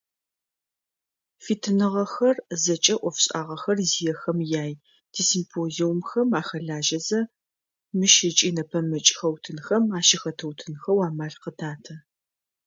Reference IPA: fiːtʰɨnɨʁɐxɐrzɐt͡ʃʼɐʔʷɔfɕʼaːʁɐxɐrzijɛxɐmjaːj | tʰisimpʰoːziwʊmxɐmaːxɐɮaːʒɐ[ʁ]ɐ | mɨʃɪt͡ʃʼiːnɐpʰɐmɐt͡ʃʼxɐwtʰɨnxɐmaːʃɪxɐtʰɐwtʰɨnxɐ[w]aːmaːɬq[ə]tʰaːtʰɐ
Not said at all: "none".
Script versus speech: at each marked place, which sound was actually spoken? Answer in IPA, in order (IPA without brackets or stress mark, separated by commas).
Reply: z, w, ə